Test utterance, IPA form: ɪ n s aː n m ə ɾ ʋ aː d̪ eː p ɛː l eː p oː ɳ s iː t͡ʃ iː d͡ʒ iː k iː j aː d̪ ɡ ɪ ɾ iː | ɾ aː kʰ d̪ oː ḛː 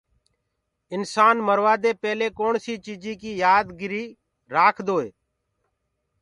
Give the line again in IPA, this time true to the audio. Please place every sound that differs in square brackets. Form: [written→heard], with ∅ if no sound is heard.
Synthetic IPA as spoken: ɪ n s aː n m ə ɾ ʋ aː d̪ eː p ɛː l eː [p→k] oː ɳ s iː t͡ʃ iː d͡ʒ iː k iː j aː d̪ ɡ ɪ ɾ iː | ɾ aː kʰ d̪ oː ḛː

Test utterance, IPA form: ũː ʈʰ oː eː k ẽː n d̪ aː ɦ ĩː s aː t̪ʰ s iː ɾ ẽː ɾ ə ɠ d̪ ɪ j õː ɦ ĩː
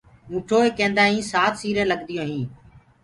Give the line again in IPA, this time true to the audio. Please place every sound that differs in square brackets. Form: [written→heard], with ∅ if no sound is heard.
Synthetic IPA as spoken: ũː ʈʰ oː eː k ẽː n d̪ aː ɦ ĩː s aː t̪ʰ s iː ɾ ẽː [ɾ→l] ə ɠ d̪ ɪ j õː ɦ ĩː

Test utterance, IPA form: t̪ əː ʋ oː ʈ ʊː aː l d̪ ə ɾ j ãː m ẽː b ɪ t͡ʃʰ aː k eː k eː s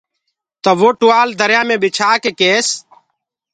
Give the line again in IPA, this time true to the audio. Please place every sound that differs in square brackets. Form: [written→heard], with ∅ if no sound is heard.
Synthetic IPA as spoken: t̪ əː ʋ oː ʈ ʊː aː l d̪ ə ɾ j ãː m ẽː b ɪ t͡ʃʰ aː k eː k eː s

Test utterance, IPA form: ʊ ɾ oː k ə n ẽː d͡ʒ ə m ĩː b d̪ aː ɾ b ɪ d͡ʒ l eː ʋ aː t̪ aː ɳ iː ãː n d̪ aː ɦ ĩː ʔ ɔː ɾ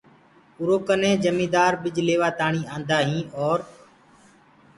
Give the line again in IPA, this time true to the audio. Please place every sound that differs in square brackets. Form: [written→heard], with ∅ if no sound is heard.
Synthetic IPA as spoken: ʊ ɾ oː k ə n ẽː d͡ʒ ə m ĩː [b→∅] d̪ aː ɾ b ɪ d͡ʒ l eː ʋ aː t̪ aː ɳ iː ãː n d̪ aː ɦ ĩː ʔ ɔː ɾ

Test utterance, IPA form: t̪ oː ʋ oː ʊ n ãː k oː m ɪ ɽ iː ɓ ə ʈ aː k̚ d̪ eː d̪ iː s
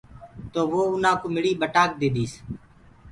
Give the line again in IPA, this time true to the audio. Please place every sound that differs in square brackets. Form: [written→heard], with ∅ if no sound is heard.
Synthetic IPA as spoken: t̪ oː ʋ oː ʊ n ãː k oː m ɪ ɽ iː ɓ ə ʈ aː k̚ d̪ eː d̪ iː s

